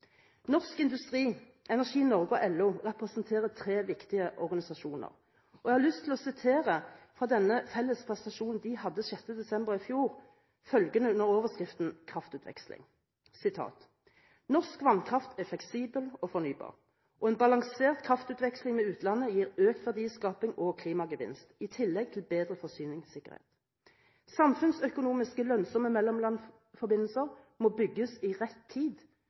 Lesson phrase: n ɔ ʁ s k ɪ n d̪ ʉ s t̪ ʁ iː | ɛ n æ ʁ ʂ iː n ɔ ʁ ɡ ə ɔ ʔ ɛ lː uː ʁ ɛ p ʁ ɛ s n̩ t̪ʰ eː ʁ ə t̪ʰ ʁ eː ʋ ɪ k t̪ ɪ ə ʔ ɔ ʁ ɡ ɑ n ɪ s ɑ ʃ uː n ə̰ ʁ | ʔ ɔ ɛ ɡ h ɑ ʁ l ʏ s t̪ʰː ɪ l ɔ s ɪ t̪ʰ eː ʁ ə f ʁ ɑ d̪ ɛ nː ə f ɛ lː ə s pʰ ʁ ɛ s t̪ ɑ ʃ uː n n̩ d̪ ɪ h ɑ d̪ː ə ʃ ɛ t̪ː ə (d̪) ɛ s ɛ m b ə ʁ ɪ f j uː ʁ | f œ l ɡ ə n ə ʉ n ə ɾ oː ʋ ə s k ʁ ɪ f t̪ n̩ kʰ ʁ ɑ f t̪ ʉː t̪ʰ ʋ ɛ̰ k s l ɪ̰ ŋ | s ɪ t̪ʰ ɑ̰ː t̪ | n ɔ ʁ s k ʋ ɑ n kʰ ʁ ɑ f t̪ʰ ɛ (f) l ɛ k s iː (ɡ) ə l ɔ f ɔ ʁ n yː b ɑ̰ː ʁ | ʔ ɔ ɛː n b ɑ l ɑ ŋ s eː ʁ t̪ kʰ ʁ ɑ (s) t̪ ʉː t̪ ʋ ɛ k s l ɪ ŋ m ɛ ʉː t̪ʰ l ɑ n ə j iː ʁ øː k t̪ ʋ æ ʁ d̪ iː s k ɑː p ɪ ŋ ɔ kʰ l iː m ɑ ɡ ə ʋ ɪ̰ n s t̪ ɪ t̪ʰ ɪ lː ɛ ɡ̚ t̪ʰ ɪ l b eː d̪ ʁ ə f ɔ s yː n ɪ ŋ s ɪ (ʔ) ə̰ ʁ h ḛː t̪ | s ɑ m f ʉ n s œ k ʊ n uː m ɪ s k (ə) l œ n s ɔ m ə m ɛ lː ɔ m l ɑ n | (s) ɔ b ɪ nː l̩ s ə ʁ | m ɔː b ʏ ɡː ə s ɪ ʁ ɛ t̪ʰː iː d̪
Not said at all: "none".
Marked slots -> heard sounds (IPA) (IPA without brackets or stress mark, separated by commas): d̪, f, b, f, k, ə, f